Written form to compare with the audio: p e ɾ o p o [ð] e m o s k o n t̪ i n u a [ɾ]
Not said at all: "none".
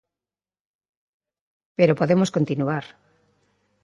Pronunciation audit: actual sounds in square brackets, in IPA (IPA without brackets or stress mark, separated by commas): ð, ɾ